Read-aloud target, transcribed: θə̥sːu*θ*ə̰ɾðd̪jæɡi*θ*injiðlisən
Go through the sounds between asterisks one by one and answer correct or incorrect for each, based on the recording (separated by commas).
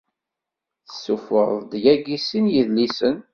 incorrect, incorrect